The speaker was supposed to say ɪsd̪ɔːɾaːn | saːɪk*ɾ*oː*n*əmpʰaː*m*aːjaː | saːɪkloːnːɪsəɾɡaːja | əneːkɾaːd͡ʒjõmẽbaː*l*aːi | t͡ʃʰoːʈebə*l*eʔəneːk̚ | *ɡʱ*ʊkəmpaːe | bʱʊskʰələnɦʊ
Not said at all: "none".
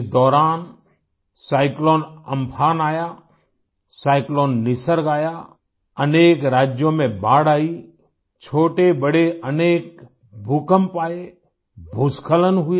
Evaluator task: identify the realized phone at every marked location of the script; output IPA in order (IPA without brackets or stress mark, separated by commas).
l, n, n, ɽ, ɽ, bʱ